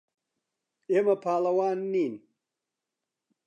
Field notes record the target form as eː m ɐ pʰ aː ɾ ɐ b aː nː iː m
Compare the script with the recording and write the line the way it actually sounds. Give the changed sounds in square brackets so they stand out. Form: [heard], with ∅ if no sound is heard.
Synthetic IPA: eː m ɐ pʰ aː [l] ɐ [w] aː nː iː [n]